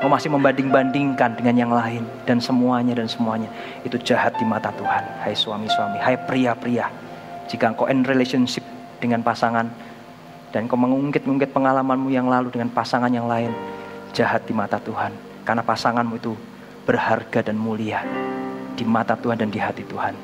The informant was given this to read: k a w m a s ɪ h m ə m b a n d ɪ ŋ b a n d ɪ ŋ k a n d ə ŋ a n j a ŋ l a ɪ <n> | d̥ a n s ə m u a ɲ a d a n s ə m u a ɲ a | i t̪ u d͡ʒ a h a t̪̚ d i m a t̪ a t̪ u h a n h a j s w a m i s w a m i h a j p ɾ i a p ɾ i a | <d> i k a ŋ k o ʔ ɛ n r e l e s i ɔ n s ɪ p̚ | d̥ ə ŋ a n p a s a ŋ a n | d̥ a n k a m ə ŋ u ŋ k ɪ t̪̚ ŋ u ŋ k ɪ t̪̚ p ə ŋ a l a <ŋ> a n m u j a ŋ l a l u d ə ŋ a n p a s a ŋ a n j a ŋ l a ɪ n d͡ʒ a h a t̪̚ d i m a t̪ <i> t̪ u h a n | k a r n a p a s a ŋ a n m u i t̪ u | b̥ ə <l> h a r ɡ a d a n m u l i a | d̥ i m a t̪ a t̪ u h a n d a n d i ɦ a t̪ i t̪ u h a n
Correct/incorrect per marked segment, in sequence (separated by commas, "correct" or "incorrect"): correct, incorrect, incorrect, incorrect, incorrect